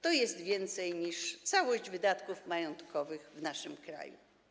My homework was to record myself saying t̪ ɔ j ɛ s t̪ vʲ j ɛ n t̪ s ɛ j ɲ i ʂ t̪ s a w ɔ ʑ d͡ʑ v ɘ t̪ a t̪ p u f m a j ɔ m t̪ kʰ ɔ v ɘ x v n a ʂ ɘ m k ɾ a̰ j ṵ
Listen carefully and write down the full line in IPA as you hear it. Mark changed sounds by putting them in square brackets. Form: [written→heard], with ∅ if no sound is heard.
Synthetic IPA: t̪ ɔ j ɛ s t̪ vʲ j ɛ n t̪ s ɛ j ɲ i ʂ t̪ s a w ɔ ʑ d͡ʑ v ɘ [t̪→d̪] a t̪ [p→k] u f m a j ɔ [m→n] t̪ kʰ ɔ v ɘ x v n a ʂ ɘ m k ɾ a̰ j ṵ